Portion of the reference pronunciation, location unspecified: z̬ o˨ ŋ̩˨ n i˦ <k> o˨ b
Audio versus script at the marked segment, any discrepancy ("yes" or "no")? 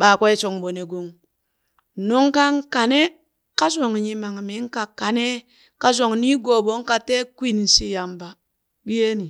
yes